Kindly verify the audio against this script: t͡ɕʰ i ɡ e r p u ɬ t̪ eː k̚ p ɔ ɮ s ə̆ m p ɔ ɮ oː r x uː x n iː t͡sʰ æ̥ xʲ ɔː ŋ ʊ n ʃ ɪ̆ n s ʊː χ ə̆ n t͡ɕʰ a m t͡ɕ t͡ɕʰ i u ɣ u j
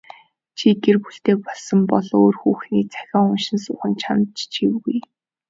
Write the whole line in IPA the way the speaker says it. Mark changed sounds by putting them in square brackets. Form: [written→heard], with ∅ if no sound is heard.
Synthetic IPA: t͡ɕʰ i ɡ e r p u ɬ t̪ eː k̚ p ɔ ɮ s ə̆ m p ɔ ɮ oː r x uː x n iː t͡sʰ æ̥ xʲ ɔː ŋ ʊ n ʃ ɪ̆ n s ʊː χ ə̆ n t͡ɕʰ a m t͡ɕ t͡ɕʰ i [u→w] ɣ u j